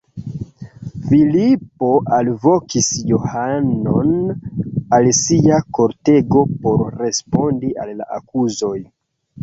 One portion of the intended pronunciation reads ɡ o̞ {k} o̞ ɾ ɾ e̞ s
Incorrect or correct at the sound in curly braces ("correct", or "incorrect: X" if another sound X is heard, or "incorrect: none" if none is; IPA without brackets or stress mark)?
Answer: incorrect: p